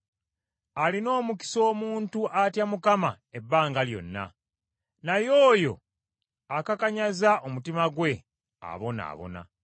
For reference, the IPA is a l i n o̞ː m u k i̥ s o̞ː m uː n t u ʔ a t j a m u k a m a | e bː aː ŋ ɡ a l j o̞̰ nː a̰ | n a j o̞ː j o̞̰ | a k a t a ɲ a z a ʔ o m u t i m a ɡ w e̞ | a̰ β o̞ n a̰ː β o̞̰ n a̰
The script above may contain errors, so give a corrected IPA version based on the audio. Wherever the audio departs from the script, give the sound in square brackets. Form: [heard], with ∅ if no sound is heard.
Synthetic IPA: a l i n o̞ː m u k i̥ s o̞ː m uː n t u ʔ a t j a m u k a m a | e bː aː ŋ ɡ a l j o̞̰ nː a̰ | n a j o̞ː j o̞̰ | a k a [k] a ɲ a z a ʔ o m u t i m a ɡ w e̞ | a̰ β o̞ n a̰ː β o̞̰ n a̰